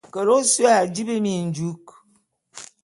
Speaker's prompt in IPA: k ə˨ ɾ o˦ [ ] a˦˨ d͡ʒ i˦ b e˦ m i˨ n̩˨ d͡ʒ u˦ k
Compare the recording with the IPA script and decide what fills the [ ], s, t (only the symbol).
s